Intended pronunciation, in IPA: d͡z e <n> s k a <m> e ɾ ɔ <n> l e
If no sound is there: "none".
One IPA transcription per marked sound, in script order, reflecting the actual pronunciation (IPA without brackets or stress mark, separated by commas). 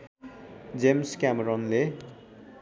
m, m, n